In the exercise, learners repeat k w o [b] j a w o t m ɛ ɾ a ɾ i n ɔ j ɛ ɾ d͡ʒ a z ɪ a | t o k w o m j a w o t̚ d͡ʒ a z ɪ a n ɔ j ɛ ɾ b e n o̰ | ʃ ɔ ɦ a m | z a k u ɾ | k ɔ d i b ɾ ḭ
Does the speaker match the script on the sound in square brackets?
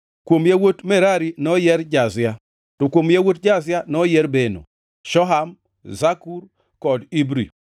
no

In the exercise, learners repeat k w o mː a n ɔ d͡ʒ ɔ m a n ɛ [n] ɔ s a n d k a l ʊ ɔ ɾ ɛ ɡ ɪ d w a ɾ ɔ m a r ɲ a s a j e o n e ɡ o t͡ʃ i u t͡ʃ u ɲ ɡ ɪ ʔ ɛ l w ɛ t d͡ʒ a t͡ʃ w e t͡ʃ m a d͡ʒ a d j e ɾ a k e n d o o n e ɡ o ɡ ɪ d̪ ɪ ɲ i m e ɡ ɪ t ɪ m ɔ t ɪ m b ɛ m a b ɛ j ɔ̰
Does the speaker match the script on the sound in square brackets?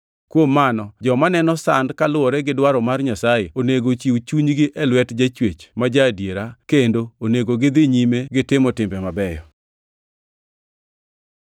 yes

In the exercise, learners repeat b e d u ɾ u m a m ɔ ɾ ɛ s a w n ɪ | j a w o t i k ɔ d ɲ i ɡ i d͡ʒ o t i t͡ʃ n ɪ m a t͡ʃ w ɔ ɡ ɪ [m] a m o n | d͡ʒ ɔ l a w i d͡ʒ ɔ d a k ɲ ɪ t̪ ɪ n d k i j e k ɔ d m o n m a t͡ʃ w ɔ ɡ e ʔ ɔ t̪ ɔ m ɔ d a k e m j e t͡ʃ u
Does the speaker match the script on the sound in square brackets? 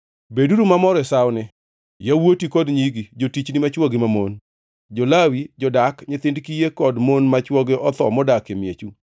yes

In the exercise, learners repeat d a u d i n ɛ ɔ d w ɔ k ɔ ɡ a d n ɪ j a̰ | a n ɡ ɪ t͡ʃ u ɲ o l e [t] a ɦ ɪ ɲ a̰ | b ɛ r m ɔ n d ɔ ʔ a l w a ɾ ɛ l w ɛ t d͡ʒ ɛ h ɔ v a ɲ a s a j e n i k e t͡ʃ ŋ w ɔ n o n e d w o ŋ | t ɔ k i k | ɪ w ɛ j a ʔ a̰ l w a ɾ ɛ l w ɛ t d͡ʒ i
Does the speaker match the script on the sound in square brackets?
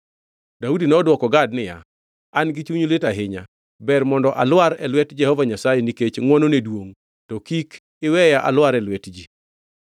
yes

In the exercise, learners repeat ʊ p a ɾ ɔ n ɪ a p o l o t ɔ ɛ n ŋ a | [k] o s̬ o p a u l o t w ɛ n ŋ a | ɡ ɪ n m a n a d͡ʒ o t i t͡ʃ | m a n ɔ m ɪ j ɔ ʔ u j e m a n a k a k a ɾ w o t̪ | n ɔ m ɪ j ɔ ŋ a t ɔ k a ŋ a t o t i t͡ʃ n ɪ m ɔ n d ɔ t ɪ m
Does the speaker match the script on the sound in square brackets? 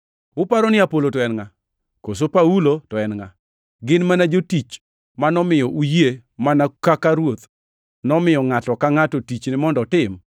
yes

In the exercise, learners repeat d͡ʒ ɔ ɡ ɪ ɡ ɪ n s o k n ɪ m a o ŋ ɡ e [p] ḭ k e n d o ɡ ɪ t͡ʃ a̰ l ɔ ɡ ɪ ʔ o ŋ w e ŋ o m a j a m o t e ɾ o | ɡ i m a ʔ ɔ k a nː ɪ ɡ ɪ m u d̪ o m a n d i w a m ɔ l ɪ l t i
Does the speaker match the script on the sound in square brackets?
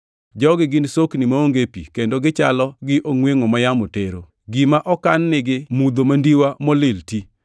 yes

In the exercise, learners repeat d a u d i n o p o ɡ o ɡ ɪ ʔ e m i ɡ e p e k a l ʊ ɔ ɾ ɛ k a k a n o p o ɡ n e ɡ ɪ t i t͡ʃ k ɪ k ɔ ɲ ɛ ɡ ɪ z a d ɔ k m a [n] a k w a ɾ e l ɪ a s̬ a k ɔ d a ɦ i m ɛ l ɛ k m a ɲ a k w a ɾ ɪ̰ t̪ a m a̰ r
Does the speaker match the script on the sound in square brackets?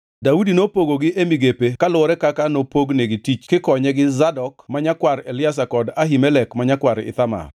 no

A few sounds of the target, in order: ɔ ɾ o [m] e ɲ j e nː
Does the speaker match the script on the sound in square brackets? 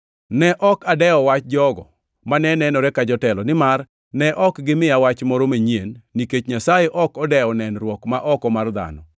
yes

